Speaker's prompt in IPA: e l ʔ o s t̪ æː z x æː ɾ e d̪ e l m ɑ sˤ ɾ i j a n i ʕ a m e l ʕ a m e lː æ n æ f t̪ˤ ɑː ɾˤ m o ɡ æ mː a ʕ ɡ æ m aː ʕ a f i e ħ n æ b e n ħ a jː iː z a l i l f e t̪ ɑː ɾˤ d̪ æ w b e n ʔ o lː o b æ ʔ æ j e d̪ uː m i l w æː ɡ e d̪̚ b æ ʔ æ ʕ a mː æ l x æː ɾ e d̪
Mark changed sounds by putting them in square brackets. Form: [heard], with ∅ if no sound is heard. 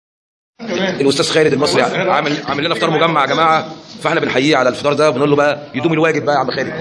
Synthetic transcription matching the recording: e l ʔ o s t̪ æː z x æː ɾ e d̪ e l m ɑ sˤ ɾ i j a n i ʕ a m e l ʕ a m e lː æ n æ f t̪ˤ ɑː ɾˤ m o ɡ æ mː a ʕ ɡ æ m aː ʕ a f [æ] e ħ n æ b e n ħ a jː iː [ʕ] a l [æ] l f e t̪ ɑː ɾˤ d̪ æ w b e n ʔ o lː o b æ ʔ æ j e d̪ uː m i l w æː ɡ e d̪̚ b æ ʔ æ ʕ a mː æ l x æː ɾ e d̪